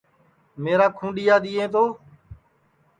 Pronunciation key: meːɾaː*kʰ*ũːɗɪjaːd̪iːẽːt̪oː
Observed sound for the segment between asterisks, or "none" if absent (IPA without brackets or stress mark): kʰ